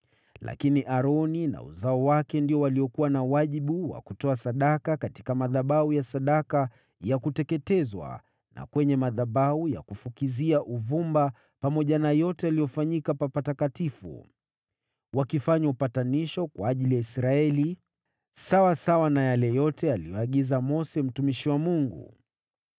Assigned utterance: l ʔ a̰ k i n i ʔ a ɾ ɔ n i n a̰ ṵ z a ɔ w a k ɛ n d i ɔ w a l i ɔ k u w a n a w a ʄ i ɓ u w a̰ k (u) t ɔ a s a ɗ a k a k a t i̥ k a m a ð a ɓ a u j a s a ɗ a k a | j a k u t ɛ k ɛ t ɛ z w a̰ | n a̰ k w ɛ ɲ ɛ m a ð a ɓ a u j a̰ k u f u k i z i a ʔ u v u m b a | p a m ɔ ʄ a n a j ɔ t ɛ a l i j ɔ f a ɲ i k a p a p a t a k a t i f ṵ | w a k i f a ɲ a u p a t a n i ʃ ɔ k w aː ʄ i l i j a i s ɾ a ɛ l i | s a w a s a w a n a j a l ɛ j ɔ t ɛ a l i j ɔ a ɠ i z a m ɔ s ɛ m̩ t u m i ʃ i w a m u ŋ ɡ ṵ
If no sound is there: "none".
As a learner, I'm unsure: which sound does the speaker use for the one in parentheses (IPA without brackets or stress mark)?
u